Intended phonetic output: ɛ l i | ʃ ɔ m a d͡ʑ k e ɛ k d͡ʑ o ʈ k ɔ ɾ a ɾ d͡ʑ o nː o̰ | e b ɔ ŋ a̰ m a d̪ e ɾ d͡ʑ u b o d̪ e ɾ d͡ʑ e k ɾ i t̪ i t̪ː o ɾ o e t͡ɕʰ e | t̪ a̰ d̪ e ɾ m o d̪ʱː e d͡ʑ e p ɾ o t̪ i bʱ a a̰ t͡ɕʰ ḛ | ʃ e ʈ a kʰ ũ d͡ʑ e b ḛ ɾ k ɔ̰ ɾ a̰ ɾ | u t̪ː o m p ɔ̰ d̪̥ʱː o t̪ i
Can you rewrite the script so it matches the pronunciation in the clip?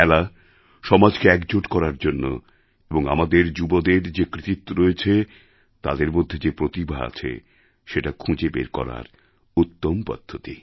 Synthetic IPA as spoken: ɛ l a | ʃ ɔ m a d͡ʑ k e ɛ k d͡ʑ o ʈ k ɔ ɾ a ɾ d͡ʑ o nː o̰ | e b o ŋ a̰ m a d̪ e ɾ d͡ʑ u b o d̪ e ɾ d͡ʑ e k ɾ i t̪ i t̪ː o ɾ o e t͡ɕʰ e | t̪ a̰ d̪ e ɾ m o d̪ʱː e d͡ʑ e p ɾ o t̪ i bʱ a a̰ t͡ɕʰ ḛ | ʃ e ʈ a kʰ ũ d͡ʑ e b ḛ ɾ k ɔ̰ ɾ a̰ ɾ | u t̪ː o m p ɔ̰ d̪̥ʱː o t̪ i